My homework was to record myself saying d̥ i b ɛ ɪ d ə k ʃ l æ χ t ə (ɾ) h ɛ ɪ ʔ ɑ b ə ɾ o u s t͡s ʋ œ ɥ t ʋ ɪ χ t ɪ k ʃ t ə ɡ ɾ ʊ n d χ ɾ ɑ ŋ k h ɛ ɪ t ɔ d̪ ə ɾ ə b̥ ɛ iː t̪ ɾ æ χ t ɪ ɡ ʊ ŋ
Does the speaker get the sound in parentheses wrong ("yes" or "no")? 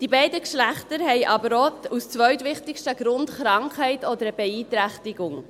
no